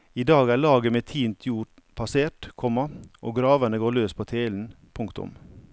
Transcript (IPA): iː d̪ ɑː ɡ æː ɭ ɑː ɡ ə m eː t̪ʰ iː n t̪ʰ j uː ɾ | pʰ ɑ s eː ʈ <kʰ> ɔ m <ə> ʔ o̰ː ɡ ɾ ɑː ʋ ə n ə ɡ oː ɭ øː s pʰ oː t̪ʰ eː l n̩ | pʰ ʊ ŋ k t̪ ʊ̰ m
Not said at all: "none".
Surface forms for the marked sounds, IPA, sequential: kʰ, ɑ

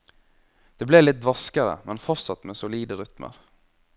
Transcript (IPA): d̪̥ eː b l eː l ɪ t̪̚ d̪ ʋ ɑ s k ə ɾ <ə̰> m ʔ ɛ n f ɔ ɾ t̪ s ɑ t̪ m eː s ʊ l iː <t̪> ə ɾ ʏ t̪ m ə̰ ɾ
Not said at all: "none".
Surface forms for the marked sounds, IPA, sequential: ə̰, d̪

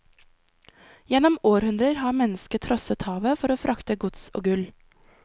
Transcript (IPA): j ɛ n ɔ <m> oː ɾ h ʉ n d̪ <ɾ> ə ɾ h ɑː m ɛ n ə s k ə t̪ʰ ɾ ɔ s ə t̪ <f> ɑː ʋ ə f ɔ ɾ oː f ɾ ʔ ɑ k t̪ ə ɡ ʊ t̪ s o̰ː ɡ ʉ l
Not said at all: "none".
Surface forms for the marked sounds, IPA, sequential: m, ɾ, h

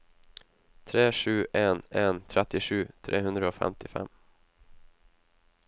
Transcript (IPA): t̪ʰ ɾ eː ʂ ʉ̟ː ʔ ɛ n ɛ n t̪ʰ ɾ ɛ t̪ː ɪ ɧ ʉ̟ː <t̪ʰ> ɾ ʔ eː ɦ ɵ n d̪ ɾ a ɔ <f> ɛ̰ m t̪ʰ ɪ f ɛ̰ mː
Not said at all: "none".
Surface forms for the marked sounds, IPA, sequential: t̪ʰ, f

